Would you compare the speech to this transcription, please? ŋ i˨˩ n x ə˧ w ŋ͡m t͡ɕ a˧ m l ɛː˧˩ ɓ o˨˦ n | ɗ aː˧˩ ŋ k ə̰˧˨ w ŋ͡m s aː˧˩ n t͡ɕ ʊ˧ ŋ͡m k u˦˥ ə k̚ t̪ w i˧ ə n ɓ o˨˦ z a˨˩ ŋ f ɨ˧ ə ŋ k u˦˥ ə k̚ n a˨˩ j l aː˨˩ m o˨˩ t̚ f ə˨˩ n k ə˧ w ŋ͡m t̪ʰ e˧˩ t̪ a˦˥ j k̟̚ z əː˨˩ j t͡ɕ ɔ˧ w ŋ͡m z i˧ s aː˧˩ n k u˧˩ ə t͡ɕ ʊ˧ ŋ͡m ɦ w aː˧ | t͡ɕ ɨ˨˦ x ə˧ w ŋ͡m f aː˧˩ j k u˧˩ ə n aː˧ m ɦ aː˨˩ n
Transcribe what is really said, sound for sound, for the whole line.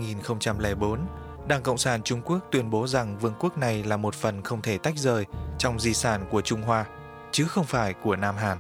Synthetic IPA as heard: ŋ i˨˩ n x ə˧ w ŋ͡m t͡ɕ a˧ m l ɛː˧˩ ɓ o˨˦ n | ɗ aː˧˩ ŋ k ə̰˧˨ w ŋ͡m s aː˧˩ n t͡ɕ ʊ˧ ŋ͡m k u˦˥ ə k̚ t̪ w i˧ ə n ɓ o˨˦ z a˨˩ ŋ v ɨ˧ ə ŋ k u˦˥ ə k̚ n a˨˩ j l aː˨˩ m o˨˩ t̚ f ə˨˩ n x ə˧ w ŋ͡m t̪ʰ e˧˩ t̪ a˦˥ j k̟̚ z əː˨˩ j t͡ɕ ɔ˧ w ŋ͡m z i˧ s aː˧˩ n k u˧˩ ə t͡ɕ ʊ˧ ŋ͡m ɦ w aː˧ | t͡ɕ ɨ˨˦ x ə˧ w ŋ͡m f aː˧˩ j k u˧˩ ə n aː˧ m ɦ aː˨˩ n